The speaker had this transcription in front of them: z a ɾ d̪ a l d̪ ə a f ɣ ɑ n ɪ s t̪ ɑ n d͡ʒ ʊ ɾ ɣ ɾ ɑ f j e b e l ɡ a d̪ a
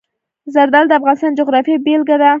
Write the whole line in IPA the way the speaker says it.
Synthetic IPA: z a ɾ d̪ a l d̪ ə a f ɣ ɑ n ɪ s t̪ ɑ n d͡ʒ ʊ ɣ ɾ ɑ f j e b e l ɡ a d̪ a